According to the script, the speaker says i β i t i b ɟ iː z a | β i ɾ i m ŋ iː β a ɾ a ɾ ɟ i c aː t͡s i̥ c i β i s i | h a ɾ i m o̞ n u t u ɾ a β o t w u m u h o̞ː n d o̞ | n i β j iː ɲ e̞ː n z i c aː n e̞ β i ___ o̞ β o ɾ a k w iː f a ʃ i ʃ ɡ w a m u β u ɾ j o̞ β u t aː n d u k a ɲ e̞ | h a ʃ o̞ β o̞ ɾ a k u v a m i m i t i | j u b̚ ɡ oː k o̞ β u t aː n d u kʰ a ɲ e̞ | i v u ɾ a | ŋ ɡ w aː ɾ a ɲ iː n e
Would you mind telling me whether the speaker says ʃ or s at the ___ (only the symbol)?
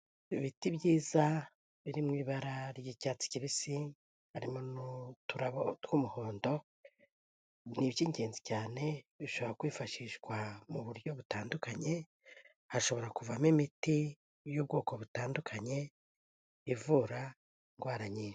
ʃ